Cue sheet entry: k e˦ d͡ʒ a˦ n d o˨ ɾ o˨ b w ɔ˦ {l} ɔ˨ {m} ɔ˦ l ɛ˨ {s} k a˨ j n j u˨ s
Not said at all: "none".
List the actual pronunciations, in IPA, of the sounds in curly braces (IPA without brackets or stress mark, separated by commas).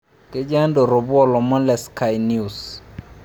l, m, s